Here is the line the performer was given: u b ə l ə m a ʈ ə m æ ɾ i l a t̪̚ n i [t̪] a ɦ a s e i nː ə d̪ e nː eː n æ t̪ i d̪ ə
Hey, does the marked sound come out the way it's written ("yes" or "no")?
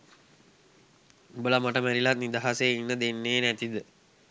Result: no